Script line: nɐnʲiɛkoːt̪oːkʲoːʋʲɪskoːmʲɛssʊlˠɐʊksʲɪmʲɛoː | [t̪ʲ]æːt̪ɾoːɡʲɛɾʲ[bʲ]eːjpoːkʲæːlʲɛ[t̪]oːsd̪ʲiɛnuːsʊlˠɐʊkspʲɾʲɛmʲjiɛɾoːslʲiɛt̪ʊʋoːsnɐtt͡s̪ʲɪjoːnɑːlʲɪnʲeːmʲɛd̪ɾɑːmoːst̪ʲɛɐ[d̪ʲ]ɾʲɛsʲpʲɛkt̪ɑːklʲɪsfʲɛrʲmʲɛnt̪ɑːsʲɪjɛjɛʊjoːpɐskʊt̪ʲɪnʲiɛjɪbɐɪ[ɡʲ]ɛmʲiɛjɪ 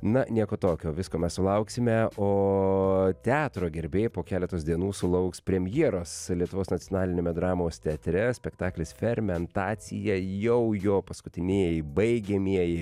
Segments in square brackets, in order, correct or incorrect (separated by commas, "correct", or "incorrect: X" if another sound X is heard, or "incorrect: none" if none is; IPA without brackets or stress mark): correct, correct, correct, incorrect: t̪ʲ, correct